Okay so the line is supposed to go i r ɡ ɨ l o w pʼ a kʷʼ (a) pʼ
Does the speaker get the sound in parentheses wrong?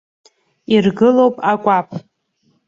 no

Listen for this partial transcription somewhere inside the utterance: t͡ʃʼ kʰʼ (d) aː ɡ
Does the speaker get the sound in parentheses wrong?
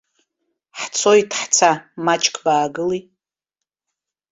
yes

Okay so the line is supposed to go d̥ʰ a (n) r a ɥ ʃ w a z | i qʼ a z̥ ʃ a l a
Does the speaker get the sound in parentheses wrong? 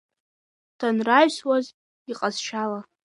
no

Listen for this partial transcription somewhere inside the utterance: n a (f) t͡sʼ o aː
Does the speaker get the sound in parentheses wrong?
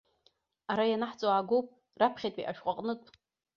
yes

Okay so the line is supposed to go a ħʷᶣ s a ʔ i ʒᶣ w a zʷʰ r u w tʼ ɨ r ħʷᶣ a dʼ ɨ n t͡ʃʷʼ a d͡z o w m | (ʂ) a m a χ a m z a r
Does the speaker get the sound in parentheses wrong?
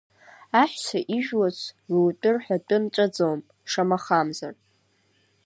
no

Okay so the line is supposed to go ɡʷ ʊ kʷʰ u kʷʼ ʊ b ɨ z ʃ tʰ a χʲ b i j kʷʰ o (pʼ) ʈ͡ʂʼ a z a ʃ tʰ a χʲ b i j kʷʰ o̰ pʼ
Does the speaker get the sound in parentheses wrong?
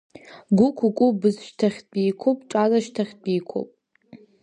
no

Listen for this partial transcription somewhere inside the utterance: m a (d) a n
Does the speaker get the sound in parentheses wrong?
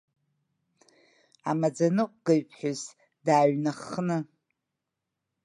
yes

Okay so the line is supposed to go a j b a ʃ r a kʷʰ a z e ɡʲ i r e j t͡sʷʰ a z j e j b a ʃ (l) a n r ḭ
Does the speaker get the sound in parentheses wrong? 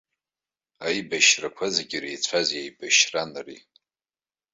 yes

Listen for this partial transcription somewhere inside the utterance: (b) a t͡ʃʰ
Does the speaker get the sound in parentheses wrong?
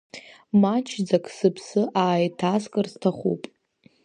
yes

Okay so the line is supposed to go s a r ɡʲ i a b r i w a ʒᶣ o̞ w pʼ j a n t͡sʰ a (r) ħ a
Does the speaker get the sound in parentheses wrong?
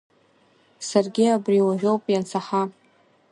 yes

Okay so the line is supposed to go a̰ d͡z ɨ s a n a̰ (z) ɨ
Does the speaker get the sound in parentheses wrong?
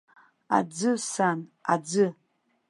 yes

